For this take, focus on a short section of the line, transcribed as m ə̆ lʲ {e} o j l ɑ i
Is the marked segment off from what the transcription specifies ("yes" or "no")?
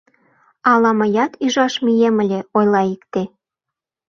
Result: no